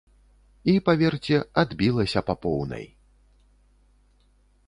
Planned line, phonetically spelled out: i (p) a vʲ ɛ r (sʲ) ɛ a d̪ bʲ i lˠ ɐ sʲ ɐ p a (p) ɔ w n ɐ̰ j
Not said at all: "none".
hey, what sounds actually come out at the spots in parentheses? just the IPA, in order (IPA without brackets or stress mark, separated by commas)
p, t͡sʲ, p